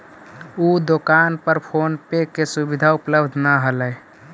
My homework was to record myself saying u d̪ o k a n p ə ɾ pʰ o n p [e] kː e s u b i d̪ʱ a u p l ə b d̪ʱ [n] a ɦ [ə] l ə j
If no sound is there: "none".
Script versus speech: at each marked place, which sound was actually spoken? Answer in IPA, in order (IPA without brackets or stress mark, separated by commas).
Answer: e, n, ə